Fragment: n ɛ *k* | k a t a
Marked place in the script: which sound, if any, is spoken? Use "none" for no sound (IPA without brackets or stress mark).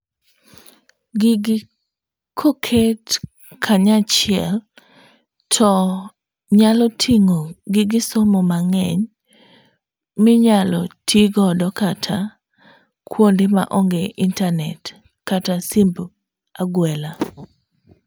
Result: t